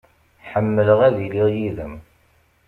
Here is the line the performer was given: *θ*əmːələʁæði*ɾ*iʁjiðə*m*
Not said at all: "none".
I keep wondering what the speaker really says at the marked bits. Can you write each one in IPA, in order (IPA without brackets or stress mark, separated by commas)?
ħ, l, m